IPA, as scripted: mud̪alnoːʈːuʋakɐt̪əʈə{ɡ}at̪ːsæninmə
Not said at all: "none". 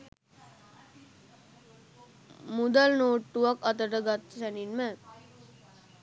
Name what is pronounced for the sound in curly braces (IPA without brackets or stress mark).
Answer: ɡ